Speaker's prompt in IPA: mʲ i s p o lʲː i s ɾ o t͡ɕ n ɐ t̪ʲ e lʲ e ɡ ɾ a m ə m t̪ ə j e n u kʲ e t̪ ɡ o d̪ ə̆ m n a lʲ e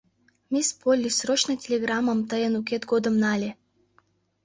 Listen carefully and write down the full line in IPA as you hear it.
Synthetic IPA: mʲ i s p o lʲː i s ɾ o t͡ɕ n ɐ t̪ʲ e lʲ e ɡ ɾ a m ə m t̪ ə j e n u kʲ e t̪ ɡ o d̪ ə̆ m n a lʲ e

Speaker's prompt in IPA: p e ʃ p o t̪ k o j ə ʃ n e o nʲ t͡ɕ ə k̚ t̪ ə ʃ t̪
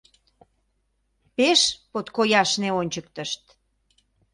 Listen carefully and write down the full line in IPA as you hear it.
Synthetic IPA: p e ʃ p o t̪ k o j ɑ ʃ n e o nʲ t͡ɕ ə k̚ t̪ ə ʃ t̪

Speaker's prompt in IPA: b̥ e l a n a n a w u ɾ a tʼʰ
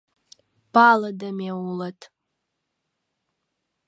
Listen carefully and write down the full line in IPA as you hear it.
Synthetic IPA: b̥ a l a d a m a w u l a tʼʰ

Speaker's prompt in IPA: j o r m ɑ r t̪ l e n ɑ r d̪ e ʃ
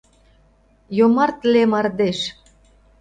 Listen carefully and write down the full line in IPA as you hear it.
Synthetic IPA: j o m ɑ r t̪ l e m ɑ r d̪ e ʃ

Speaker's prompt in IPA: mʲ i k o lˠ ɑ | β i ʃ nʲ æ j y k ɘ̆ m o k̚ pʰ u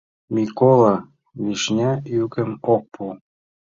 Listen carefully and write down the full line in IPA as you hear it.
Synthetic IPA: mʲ i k o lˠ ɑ | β i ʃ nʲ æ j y k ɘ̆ m o k̚ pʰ u

